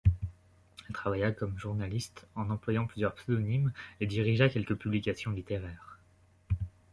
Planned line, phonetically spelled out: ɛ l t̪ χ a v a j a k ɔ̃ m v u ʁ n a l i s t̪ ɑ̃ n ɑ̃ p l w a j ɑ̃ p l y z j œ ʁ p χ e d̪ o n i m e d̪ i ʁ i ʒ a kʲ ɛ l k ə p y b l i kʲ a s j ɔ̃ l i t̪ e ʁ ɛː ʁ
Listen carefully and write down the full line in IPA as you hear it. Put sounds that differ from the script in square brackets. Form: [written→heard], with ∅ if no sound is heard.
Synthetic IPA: ɛ l t̪ χ a v a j a k [ɔ̃→ɔ] m [v→ʒ] u ʁ n a l i s t̪ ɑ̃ n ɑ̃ p l w a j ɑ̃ p l y z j œ ʁ p [χ→s] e d̪ [o→ɔ] n i m e d̪ i ʁ i ʒ a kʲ ɛ l k ə p y b l i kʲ a s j ɔ̃ l i t̪ e ʁ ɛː ʁ